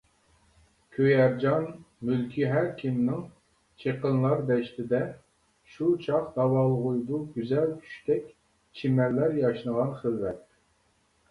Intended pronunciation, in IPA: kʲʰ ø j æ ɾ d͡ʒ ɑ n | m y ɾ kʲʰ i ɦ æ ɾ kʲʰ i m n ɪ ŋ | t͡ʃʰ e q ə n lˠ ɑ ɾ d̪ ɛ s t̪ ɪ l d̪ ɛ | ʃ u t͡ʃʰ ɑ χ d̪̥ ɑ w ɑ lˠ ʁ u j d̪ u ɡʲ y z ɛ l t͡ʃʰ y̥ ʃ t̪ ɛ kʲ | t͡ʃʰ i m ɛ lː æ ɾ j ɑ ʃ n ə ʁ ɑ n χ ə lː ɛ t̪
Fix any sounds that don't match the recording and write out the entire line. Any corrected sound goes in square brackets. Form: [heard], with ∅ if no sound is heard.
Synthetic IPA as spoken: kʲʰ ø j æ ɾ d͡ʒ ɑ n | m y [l] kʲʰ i ɦ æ ɾ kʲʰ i m n ɪ ŋ | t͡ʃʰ e q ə n lˠ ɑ ɾ d̪ ɛ [ʃ] t̪ ɪ [∅] d̪ ɛ | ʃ u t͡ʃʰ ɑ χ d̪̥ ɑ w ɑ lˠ ʁ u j d̪ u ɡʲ y z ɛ l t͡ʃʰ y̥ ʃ t̪ ɛ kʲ | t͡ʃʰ i m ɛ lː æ ɾ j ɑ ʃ n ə ʁ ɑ n χ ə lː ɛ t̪